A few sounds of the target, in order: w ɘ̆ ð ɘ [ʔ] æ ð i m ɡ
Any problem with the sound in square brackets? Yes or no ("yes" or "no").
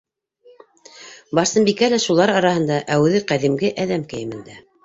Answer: yes